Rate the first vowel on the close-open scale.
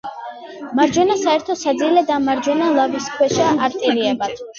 open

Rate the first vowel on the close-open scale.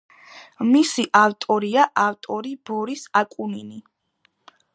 close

